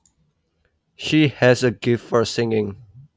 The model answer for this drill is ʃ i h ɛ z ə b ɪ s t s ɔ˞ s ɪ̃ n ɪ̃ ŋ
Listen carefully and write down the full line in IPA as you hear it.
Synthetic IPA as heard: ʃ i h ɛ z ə ɡ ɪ f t f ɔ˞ s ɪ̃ ŋ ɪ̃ ŋ